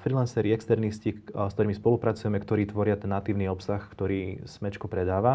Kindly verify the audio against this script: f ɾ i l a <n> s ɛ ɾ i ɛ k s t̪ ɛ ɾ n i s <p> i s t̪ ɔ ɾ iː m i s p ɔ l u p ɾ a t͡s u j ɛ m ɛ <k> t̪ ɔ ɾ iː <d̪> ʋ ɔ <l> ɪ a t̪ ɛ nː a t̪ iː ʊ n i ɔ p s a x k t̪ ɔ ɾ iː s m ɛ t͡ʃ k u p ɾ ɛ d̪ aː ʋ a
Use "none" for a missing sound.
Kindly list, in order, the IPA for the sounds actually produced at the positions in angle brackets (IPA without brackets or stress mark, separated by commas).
n, c, k, t̪, ɾ